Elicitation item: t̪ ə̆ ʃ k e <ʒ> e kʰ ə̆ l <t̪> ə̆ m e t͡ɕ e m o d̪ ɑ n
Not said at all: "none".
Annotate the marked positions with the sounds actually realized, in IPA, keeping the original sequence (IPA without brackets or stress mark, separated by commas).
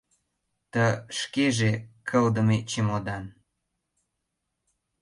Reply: ʒ, d̪